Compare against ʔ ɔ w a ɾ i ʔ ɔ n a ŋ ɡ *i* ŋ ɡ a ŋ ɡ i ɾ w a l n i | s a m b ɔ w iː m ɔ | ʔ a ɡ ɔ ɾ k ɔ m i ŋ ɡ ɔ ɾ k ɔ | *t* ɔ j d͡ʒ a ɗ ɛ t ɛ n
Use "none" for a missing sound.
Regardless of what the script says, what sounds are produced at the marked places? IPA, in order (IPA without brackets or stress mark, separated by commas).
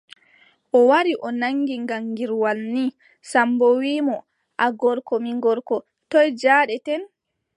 i, t